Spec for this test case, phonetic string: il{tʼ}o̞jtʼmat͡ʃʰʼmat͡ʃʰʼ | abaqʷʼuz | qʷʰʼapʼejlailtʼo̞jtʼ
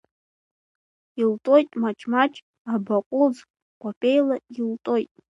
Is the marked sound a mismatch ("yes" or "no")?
no